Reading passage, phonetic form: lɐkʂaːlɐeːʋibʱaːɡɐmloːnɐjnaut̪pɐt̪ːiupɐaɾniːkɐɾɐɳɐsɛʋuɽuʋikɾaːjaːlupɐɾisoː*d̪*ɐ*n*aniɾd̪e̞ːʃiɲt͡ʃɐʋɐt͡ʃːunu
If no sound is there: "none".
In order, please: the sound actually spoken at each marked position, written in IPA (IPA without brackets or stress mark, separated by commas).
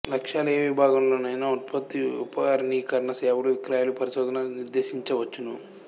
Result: d̪, n